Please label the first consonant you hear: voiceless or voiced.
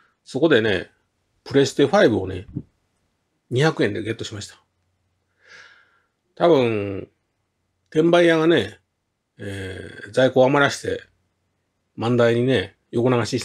voiceless